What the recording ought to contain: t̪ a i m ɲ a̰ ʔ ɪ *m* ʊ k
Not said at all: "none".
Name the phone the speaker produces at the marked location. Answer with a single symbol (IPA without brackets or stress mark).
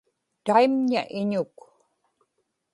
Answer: ɲ